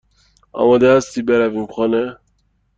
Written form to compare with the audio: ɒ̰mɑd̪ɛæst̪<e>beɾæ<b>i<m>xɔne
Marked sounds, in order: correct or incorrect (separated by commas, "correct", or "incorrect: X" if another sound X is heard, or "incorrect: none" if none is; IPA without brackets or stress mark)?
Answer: incorrect: i, incorrect: v, correct